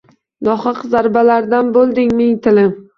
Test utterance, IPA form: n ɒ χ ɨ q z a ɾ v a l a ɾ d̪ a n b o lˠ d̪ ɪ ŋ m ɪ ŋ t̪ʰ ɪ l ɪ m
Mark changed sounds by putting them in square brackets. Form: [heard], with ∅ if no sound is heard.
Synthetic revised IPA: n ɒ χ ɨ q z a ɾ [b] a l a ɾ d̪ a n b o lˠ d̪ ɪ ŋ m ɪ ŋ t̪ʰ ɪ l ɪ m

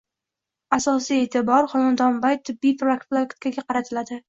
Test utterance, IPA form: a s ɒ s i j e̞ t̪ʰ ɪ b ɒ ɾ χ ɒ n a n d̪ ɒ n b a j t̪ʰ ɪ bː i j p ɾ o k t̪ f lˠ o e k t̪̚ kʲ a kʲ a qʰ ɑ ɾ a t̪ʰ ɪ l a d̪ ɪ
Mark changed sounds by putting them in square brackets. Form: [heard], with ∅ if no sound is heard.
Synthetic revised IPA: a s ɒ s i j e̞ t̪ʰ ɪ b ɒ ɾ χ ɒ n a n d̪ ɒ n b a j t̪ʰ ɪ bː i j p ɾ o k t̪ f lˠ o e k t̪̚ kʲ a [ɡʲ] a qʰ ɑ ɾ a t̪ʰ ɪ l a d̪ ɪ

